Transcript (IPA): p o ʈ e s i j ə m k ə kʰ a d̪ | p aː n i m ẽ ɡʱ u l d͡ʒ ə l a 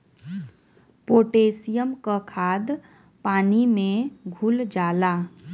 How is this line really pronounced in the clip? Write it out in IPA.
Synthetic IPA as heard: p o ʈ e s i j ə m k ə kʰ a d̪ | p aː n i m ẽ ɡʱ u l d͡ʒ a l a

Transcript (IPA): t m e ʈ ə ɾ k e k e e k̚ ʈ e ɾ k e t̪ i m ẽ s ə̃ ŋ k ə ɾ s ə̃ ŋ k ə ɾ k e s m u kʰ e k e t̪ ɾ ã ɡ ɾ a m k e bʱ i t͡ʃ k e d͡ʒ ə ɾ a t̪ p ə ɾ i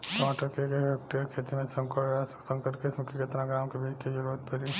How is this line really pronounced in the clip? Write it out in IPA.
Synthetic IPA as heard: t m a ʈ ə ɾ k e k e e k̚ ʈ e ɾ kʰ e t̪ i m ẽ s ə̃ ŋ k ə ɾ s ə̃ ŋ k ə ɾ k e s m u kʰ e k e t̪ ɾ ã ɡ ɾ a m k e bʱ i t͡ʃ k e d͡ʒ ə ɾ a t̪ p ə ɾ i

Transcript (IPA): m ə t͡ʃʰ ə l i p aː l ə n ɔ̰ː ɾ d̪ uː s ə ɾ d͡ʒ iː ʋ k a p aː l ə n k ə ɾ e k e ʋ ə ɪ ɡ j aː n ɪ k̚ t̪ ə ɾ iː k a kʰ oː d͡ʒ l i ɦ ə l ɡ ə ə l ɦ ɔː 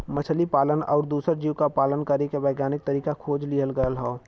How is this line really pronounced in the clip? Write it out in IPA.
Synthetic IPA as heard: m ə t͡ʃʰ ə l i p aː l ə n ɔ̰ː ɾ d̪ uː s ə ɾ d͡ʒ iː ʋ k a p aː l ə n k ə ɾ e k e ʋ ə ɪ ɡ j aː n ɪ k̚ t̪ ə ɾ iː k a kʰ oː d͡ʒ l i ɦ ə l ɡ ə ə l ɦ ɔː

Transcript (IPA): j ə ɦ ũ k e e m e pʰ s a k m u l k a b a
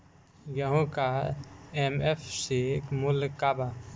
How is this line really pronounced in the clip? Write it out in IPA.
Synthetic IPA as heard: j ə ɦ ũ k a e m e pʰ s i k m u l k a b a

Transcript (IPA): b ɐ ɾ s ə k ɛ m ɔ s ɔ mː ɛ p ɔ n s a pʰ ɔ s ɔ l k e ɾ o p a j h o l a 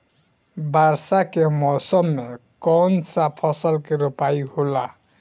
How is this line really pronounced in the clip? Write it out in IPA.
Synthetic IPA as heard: b a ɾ s a k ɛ m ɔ s ɔ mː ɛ k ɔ n s a pʰ ɔ s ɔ l k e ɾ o p a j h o l a

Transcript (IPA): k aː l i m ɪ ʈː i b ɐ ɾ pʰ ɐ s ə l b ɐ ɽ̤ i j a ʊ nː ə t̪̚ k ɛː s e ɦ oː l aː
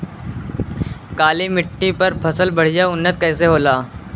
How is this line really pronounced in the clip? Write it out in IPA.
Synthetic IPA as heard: k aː l i m ɪ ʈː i p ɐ ɾ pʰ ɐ s ə l b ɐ ɽ̤ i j a ʊ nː ə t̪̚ k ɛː s e ɦ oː l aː

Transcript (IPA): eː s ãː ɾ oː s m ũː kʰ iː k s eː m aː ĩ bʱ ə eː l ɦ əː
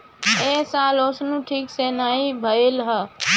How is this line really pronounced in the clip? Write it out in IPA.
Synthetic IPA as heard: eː s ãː l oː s n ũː ʈʰ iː k s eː n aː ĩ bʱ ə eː l ɦ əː

